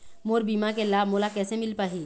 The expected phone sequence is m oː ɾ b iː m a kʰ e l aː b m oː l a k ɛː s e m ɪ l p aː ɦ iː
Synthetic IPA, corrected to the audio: m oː ɾ b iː m a k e l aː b m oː l a k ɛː s e m ɪ l p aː ɦ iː